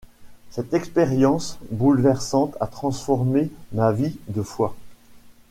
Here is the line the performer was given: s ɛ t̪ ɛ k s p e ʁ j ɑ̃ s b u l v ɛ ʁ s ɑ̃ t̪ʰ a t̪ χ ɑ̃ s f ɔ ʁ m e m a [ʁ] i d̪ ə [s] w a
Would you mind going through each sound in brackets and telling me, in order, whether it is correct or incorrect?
incorrect: v, incorrect: f

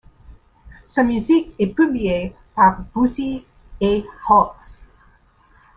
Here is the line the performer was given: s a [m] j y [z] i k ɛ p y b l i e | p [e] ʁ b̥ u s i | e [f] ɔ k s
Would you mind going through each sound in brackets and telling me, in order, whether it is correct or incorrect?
correct, correct, incorrect: a, incorrect: h

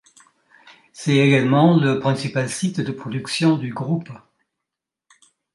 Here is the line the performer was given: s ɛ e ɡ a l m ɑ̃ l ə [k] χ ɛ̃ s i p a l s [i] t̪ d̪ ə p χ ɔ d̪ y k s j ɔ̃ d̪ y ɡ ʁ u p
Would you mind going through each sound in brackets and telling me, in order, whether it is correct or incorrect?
incorrect: p, correct

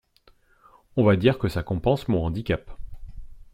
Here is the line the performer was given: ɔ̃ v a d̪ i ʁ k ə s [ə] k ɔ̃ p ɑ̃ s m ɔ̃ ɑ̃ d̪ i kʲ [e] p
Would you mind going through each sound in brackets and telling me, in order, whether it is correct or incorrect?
incorrect: a, incorrect: a

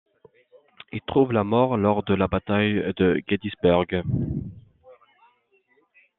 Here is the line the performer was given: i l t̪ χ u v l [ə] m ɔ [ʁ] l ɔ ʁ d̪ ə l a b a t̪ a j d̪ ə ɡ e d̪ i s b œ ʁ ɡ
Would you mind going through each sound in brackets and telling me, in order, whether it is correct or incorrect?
incorrect: a, correct

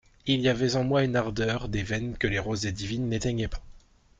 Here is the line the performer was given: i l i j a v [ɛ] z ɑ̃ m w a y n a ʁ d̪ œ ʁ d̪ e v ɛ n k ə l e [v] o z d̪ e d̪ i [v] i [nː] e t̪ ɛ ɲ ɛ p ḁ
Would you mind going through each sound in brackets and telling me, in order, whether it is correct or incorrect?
correct, incorrect: ʁ, correct, correct

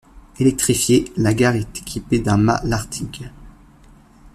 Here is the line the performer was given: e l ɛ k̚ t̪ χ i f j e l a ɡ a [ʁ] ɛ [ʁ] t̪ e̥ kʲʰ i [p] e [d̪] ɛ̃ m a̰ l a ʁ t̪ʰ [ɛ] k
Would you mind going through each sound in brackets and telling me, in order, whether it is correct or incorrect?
correct, incorrect: none, correct, correct, incorrect: i

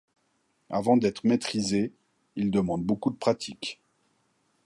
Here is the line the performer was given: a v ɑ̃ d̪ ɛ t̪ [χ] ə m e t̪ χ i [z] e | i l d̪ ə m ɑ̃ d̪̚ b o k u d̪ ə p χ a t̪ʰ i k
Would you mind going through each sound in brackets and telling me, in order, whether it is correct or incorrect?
correct, correct

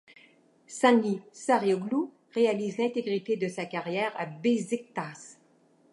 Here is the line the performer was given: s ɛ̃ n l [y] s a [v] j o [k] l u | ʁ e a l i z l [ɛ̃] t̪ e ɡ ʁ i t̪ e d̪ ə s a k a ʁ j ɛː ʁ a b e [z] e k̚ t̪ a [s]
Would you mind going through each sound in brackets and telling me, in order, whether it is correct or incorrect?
incorrect: i, incorrect: ʁ, incorrect: ɡ, correct, correct, correct

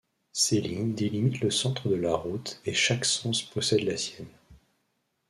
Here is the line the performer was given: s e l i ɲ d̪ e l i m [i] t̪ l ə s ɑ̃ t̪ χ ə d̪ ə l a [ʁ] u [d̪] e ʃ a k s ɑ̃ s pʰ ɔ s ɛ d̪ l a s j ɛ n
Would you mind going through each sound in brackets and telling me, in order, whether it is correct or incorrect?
correct, correct, incorrect: t̪

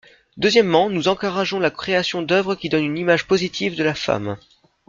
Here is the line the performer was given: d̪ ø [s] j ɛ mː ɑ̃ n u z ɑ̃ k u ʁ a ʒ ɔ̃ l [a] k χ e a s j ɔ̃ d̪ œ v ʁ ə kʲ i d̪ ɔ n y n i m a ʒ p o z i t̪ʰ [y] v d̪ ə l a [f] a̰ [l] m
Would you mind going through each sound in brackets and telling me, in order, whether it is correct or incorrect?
incorrect: z, correct, incorrect: i, correct, incorrect: none

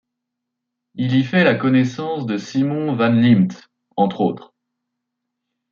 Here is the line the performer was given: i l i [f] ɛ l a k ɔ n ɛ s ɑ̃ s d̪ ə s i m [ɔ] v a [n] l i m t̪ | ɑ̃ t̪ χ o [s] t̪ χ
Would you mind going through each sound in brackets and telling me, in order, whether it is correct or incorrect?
correct, incorrect: ɔ̃, correct, incorrect: none

